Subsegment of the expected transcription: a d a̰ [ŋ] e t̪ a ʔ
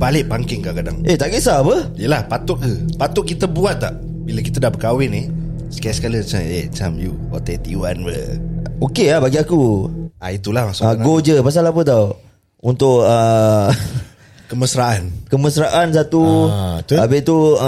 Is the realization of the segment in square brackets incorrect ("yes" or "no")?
no